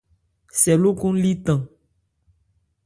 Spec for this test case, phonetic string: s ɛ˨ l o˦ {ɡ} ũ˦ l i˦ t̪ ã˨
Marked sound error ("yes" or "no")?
yes